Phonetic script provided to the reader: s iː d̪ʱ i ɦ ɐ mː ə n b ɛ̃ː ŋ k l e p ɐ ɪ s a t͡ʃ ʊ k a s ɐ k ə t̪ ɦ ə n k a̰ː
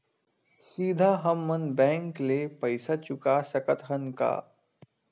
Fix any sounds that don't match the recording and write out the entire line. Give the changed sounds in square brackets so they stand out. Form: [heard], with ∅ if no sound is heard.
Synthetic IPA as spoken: s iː d̪ʱ [a] ɦ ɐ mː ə n b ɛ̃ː ŋ k l e p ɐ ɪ s a t͡ʃ ʊ k a s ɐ k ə t̪ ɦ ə n k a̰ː